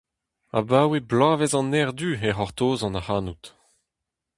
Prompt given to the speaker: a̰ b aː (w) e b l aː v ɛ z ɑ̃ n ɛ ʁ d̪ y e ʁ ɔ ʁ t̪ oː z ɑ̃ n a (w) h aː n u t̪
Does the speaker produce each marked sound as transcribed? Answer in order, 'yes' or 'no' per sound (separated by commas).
yes, no